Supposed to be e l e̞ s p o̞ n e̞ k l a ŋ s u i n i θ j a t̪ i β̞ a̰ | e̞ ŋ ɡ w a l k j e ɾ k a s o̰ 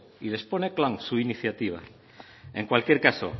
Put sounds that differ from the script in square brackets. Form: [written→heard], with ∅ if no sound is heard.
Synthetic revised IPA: [e→i] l e̞ s p o̞ n e̞ k l a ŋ s u i n i θ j a t̪ i β̞ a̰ | e̞ ŋ [ɡ→k] w a l k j e ɾ k a s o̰